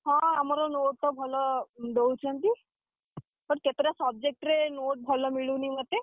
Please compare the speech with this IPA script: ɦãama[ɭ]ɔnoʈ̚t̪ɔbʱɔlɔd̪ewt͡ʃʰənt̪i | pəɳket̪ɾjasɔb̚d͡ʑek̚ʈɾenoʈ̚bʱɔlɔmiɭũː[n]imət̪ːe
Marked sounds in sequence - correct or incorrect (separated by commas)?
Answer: incorrect, correct